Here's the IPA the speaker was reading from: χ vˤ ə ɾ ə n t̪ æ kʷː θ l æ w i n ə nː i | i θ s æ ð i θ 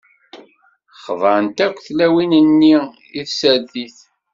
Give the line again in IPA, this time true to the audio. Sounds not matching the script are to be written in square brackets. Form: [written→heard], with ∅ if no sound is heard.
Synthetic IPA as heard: χ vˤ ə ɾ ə n t̪ æ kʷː θ l æ w i n ə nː i | i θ s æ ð i θ